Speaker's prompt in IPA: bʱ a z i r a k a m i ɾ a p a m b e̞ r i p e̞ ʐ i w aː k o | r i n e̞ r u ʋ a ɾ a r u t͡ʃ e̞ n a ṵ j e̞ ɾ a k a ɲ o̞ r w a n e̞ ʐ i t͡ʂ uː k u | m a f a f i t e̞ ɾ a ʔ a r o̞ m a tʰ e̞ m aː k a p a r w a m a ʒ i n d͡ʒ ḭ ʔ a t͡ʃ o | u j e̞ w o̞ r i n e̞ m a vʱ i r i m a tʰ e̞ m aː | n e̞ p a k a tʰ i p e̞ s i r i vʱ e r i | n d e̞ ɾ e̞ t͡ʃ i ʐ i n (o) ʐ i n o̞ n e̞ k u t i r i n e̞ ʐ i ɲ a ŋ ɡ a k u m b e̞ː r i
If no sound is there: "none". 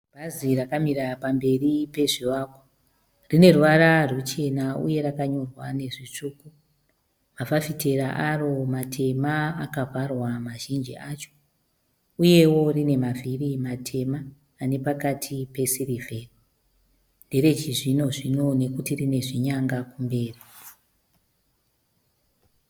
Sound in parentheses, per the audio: o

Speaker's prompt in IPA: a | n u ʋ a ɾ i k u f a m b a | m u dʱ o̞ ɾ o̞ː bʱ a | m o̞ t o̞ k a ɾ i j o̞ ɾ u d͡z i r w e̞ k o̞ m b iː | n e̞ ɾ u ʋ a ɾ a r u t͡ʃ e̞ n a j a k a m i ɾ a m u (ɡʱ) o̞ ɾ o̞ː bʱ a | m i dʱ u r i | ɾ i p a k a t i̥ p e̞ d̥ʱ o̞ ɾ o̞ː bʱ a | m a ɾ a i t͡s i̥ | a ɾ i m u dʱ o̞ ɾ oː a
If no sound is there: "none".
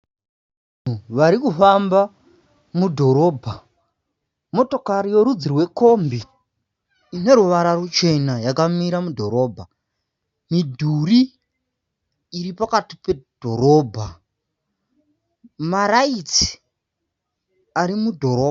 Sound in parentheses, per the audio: dʱ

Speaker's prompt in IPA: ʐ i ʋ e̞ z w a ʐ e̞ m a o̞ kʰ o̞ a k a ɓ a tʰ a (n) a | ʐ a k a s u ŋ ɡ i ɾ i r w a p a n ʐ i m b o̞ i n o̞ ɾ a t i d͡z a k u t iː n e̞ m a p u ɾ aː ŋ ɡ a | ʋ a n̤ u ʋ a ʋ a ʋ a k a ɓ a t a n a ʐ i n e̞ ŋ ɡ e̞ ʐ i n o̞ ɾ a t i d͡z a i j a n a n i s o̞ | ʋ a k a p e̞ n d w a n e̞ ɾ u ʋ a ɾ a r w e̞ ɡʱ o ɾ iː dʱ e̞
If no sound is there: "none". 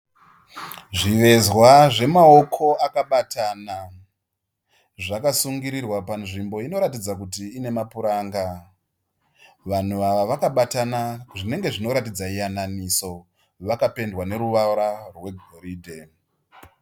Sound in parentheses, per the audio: n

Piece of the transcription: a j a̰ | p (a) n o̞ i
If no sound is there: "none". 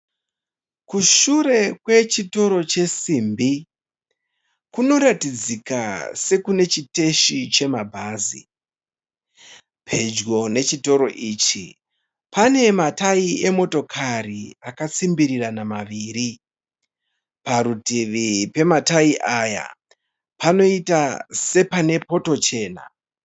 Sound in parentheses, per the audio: a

